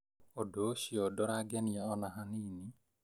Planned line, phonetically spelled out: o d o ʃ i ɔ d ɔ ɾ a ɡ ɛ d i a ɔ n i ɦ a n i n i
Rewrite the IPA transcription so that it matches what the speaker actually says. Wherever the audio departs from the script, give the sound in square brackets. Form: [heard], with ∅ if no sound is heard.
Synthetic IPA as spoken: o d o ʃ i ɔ d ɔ ɾ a ɡ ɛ [n] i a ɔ n [a] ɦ a n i n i